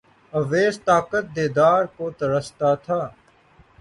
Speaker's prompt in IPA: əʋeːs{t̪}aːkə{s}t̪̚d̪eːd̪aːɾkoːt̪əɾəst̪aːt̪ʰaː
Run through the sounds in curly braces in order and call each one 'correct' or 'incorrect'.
correct, incorrect: none

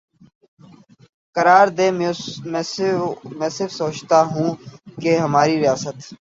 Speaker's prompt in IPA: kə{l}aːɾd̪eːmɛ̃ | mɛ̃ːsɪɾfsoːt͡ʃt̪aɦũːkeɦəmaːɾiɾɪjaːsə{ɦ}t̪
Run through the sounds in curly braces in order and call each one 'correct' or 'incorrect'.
incorrect: ɾ, incorrect: none

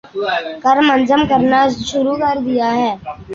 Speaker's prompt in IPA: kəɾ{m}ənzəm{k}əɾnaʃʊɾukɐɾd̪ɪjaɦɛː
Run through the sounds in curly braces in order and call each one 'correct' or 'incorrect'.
correct, correct

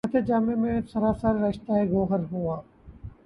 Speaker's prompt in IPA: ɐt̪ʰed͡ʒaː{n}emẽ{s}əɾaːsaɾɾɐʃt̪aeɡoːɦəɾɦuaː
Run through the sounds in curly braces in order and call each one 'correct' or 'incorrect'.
incorrect: m, correct

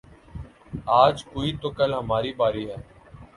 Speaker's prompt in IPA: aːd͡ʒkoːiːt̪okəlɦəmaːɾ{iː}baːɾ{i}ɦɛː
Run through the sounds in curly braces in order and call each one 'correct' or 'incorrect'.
correct, incorrect: iː

